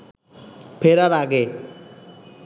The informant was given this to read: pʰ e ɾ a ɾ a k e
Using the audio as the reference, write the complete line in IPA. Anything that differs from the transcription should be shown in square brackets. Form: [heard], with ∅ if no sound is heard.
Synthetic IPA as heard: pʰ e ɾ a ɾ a [ɡ] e